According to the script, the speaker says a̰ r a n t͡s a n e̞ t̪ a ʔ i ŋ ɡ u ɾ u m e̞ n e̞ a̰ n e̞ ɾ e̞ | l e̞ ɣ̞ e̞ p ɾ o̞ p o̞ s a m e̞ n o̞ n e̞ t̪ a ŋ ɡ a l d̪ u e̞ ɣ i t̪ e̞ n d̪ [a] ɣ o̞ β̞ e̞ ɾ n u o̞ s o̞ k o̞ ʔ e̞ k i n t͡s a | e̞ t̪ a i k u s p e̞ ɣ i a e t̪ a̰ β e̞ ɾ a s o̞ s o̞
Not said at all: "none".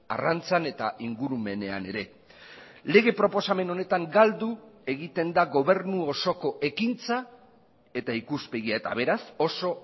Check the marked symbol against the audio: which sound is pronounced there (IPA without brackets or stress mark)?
a